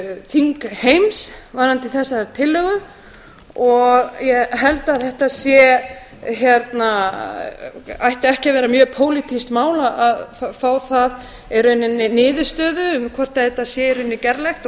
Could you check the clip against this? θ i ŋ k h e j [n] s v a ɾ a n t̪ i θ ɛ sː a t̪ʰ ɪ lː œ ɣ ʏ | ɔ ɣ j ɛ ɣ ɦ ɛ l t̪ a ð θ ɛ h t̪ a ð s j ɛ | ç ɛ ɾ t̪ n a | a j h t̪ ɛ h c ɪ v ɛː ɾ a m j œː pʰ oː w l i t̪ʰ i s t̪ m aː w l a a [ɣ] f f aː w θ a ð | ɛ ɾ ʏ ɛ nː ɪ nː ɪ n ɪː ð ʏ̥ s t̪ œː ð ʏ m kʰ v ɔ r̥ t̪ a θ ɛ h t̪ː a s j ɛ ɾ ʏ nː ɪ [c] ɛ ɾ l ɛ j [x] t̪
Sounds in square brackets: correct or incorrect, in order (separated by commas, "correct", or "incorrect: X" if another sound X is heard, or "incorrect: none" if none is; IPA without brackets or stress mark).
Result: incorrect: m, incorrect: ð, correct, correct